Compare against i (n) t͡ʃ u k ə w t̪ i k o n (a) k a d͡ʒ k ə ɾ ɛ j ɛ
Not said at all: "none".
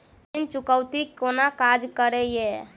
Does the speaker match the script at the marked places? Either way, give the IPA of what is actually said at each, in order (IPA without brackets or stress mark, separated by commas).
n, a